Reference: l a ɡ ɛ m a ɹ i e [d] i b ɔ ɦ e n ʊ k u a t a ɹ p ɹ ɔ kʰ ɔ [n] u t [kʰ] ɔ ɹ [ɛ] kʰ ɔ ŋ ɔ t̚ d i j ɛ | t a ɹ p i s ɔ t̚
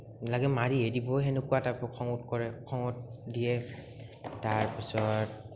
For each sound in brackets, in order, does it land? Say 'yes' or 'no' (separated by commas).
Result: yes, no, no, yes